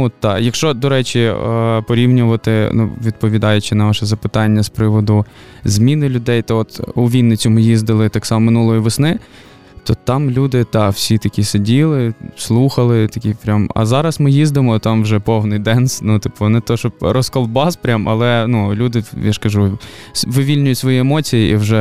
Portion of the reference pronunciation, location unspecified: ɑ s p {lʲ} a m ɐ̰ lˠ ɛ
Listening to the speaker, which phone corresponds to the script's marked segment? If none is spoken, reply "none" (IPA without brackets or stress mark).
ɾʲ